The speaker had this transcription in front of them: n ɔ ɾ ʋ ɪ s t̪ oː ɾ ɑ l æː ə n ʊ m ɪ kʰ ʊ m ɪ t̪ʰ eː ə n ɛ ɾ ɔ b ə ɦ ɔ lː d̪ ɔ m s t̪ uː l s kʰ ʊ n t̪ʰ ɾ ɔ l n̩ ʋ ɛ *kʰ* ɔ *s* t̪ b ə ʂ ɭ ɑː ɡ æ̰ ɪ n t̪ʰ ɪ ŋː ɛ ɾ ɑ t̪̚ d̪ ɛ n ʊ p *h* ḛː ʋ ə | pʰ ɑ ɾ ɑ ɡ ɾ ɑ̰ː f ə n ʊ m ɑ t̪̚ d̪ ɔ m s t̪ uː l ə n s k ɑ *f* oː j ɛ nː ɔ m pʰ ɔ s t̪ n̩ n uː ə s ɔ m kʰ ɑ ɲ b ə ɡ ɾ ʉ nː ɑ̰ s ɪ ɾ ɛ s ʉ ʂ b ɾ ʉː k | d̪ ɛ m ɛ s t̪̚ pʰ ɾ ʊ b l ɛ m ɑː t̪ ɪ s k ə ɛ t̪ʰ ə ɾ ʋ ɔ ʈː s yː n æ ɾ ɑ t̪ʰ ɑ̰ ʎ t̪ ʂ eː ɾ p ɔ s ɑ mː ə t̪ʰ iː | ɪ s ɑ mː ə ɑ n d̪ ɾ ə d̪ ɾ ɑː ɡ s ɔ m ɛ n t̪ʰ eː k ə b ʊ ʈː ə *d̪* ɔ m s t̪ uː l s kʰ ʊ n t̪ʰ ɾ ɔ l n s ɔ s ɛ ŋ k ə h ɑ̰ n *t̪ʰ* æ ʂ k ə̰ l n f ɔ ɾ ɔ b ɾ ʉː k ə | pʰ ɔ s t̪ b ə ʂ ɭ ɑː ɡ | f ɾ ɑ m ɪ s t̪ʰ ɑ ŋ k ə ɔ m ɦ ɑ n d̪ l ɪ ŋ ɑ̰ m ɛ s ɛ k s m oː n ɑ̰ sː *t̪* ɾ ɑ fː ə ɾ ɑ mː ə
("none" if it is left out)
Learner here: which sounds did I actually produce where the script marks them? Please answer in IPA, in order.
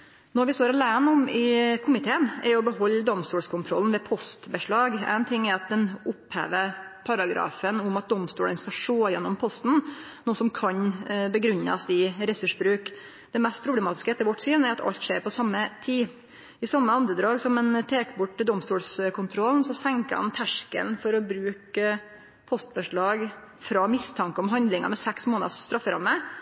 pʰ, s, h, ʂ, d̪, t̪ʰ, t̪

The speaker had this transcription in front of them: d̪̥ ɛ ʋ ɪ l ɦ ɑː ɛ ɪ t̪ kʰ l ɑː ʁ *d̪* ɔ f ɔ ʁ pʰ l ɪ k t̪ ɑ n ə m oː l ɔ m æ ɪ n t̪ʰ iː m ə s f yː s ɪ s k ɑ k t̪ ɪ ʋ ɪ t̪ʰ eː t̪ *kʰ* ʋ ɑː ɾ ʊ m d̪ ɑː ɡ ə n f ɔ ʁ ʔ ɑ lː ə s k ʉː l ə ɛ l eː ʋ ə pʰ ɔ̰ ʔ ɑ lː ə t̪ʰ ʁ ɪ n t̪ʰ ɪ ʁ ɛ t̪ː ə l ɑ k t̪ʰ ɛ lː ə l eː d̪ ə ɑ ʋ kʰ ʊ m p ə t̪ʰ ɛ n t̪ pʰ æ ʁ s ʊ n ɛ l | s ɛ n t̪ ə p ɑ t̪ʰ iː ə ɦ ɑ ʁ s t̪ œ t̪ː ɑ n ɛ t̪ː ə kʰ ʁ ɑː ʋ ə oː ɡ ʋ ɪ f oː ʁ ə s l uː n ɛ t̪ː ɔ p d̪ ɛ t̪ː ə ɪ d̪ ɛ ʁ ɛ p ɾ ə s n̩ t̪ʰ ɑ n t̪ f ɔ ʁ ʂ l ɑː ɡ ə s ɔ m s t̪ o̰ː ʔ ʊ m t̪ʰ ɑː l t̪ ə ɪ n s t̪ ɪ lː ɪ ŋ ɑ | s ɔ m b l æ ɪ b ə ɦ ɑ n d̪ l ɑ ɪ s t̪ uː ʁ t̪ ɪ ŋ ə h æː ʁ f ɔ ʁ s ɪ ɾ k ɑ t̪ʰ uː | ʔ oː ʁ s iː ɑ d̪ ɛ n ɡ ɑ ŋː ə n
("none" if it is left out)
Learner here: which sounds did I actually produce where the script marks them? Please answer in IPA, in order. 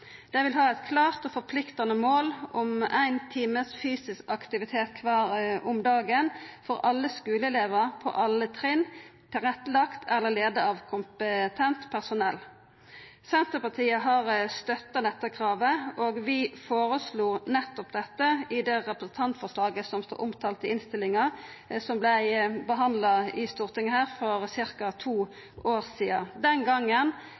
t̪, kʰ

